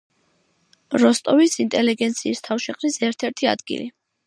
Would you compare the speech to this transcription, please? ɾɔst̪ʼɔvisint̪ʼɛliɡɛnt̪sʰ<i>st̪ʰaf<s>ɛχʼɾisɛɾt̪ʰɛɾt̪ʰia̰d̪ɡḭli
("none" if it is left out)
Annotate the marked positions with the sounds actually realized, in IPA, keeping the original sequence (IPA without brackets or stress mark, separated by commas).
iː, ʃ